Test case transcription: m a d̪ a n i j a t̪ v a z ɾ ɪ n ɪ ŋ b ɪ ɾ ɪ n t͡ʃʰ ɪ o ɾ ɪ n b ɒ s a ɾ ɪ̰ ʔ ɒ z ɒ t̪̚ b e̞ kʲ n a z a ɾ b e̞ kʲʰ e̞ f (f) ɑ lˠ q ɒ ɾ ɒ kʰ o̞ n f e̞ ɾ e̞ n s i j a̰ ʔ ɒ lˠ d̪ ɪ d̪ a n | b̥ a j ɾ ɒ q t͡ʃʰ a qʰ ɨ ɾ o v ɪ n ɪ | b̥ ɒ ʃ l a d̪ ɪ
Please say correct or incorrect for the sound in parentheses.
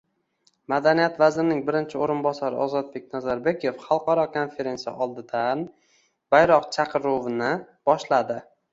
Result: incorrect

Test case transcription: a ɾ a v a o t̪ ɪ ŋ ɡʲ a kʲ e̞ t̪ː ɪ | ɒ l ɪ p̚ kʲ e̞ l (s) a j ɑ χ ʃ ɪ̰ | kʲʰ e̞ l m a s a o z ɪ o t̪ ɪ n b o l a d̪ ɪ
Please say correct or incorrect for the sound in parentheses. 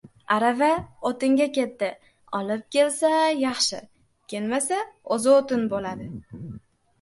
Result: correct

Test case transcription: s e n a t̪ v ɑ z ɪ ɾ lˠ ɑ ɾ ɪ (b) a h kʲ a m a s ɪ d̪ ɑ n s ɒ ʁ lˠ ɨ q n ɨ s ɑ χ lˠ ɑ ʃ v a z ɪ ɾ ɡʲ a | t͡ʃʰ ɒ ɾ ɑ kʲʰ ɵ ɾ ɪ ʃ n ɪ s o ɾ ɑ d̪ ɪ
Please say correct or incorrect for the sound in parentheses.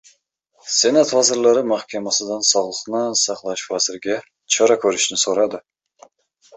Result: incorrect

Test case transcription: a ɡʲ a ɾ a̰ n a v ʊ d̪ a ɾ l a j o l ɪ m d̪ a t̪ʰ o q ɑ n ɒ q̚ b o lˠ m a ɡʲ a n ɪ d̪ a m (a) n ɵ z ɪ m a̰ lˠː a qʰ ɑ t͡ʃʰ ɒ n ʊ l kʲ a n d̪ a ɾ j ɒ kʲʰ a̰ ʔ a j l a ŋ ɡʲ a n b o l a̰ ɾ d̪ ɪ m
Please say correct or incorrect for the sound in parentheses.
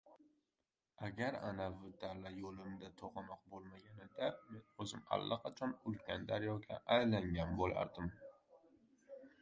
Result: incorrect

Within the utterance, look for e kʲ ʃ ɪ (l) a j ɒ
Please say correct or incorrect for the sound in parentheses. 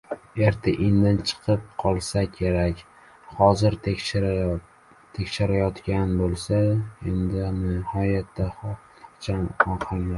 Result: incorrect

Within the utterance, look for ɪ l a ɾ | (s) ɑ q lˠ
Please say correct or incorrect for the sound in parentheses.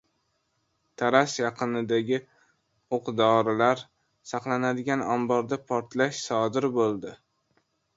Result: correct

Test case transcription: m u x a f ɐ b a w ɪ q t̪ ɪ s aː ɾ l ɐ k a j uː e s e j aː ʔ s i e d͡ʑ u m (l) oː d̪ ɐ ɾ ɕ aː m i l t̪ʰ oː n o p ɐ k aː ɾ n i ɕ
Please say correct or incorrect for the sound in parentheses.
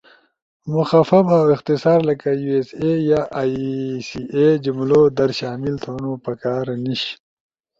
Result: correct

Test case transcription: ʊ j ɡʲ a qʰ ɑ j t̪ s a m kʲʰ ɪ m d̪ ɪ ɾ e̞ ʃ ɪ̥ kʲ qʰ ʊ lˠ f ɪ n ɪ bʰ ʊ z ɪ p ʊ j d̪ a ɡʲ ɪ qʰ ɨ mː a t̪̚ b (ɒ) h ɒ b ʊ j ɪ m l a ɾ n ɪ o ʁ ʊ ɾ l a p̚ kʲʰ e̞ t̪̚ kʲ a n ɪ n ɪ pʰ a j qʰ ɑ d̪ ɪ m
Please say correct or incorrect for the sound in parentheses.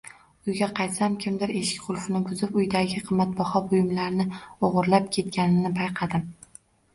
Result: correct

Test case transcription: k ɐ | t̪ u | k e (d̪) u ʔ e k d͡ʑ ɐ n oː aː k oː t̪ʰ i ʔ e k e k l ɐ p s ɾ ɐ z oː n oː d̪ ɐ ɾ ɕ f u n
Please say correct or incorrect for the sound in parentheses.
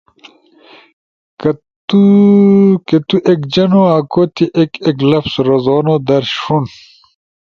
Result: incorrect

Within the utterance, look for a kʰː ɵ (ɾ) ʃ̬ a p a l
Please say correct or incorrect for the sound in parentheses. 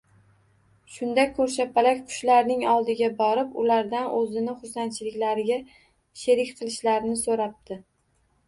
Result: correct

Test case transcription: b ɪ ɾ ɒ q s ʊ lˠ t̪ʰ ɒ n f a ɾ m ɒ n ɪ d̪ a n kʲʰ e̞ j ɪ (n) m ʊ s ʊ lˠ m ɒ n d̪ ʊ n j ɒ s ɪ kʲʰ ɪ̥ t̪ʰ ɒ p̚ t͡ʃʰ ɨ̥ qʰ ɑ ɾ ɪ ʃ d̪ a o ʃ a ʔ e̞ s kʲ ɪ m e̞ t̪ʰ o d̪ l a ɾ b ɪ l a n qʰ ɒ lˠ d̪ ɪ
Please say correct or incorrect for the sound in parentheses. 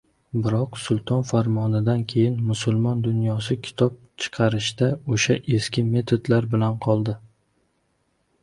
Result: correct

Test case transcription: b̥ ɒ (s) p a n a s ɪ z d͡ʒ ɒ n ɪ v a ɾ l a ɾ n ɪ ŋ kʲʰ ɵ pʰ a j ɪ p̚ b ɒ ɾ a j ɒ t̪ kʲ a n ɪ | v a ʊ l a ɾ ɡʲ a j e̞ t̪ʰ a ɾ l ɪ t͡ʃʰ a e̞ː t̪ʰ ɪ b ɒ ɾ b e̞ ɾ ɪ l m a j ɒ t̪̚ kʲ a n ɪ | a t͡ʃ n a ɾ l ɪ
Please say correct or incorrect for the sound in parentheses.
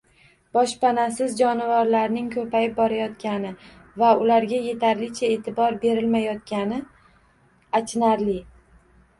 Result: incorrect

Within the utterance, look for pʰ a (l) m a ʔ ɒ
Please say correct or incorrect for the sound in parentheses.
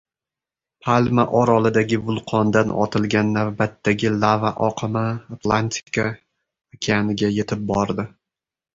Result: correct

